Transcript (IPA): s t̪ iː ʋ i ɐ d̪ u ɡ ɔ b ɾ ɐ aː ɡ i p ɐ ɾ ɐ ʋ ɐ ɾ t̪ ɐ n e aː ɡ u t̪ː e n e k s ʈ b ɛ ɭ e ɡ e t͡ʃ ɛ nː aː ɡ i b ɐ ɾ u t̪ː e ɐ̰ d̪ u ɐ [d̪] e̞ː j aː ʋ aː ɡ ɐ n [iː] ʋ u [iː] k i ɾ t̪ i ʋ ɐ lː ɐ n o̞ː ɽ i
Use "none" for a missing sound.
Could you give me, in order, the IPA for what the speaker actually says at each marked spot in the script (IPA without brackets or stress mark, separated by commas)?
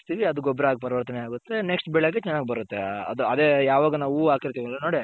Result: d̪, aː, aː